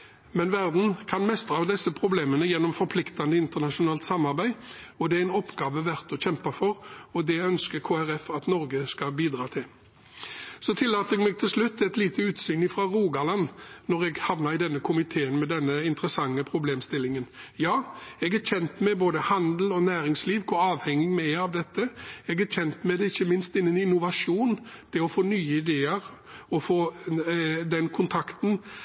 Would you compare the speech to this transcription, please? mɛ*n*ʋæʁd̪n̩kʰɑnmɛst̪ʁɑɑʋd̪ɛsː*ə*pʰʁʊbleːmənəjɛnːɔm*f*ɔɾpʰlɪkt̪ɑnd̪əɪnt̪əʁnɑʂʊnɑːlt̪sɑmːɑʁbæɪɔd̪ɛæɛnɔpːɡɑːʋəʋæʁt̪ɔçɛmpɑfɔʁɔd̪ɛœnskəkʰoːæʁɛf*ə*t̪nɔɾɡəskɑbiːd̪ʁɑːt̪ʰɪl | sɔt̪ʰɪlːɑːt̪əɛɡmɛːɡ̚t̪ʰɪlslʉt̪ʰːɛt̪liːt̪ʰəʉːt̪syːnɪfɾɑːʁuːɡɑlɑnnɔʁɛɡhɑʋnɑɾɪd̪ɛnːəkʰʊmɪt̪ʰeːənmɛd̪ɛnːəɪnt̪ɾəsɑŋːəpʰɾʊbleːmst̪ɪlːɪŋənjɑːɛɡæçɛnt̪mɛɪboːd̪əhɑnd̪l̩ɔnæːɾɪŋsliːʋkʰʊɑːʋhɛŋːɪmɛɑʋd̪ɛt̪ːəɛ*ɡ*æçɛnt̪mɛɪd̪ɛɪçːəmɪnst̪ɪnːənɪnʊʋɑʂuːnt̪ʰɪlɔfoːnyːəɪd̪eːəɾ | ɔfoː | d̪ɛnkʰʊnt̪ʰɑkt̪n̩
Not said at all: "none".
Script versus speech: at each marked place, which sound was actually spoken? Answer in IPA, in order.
n, ə, f, ɑ, ɡ

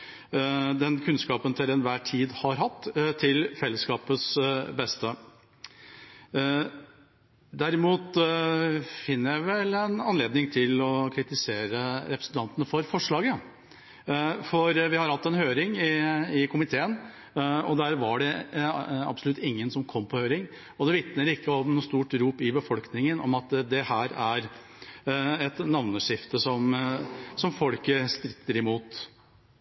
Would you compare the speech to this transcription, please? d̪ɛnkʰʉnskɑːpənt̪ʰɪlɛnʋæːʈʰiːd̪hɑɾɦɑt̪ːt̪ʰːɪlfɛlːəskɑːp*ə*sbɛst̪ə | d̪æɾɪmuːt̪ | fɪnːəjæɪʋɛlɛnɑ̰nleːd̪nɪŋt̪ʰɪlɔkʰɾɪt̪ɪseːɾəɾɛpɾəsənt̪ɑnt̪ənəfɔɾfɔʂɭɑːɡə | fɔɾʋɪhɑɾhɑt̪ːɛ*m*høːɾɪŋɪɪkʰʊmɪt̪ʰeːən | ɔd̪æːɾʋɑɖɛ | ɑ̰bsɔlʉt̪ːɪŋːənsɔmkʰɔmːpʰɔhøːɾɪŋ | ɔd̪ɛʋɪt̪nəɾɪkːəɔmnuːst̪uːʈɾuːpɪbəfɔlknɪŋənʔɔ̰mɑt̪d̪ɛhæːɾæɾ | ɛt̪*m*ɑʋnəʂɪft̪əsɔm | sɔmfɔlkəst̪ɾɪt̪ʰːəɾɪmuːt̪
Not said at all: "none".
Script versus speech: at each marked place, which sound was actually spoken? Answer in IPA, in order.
ə, n, n

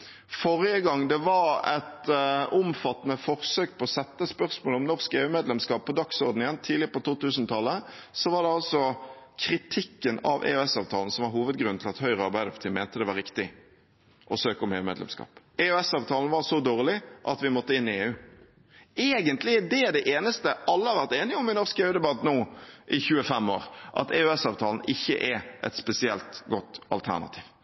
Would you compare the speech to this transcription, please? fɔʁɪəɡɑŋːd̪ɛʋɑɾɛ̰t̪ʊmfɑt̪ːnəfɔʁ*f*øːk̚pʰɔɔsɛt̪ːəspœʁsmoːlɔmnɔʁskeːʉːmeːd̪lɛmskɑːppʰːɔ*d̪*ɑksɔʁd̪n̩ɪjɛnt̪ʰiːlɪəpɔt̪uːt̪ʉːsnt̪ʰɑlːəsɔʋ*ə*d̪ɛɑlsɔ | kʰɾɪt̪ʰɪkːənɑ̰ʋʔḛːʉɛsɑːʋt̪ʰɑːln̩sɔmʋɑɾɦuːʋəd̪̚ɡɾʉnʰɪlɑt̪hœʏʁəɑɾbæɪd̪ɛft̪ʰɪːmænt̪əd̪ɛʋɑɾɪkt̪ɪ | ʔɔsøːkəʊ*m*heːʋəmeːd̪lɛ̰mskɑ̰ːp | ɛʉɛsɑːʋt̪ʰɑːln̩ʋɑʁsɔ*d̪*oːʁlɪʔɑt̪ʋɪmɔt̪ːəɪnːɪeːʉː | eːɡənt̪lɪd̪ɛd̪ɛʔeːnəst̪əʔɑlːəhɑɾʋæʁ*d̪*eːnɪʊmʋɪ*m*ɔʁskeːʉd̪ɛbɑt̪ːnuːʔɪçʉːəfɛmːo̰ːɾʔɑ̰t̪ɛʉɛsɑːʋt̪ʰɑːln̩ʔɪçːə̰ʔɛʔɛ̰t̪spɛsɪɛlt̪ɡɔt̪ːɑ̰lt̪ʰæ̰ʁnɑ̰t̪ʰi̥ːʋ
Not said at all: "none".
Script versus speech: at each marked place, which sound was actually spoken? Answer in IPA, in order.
s, d̪, ɑ, m, d̪, t̪, n

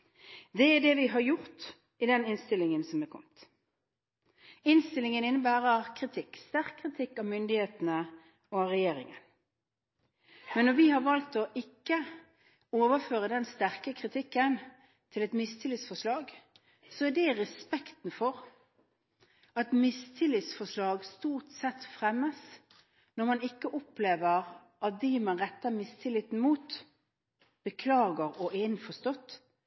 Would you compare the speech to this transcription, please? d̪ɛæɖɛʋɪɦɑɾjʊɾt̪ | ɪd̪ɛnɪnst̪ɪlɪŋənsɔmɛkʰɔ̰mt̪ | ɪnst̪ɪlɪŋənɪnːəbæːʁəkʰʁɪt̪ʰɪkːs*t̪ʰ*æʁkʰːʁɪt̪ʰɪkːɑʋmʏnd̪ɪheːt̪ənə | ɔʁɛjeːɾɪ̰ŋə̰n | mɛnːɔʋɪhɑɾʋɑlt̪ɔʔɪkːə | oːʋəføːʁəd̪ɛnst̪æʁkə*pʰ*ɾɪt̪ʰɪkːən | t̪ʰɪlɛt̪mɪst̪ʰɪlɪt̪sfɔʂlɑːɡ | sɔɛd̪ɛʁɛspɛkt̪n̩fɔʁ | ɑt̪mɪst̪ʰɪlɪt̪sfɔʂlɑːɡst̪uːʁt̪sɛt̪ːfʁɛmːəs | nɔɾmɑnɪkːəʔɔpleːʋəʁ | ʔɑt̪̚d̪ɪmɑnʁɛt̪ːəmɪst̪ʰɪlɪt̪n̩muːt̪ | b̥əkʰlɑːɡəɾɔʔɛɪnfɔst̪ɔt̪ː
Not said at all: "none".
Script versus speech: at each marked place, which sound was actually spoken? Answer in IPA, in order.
t̪, kʰ

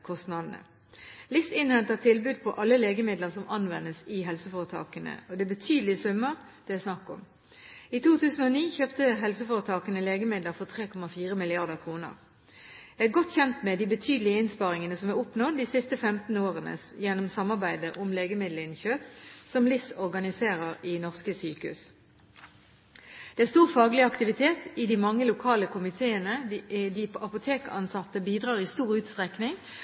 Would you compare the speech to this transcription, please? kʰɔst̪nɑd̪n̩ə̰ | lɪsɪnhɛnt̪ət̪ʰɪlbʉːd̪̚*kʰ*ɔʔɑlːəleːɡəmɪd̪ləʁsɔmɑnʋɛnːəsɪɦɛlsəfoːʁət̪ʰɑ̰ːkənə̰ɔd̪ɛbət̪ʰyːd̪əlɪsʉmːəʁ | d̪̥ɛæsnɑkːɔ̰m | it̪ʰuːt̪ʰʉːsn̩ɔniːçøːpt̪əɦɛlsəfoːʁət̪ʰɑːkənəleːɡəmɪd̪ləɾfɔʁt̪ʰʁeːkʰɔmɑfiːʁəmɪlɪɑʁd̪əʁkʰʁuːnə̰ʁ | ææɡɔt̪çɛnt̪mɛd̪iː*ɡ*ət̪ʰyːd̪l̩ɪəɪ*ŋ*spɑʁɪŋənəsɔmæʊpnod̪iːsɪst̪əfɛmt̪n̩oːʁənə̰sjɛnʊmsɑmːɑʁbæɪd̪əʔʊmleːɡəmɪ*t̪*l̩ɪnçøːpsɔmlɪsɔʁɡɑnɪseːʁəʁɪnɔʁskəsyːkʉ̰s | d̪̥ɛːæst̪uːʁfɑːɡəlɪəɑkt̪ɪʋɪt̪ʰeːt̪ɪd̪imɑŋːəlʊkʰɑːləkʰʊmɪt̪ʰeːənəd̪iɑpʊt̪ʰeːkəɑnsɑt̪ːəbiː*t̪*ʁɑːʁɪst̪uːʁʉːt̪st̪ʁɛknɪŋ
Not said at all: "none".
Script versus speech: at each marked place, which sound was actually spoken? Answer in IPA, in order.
pʰ, b, n, d̪, d̪

